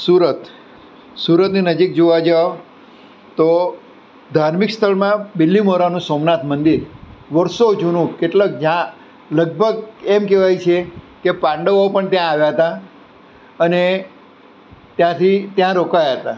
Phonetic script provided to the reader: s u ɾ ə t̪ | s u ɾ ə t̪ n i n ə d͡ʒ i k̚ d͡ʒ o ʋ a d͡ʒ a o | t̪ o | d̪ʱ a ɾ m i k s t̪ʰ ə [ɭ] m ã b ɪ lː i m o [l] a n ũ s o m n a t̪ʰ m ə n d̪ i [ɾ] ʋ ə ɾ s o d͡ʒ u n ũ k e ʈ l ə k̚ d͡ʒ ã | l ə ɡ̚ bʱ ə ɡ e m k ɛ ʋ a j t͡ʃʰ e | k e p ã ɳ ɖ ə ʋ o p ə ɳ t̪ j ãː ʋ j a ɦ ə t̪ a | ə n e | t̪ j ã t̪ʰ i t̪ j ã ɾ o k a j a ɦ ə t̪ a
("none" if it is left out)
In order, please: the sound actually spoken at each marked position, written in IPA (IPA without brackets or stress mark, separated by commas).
ɭ, ɾ, ɾ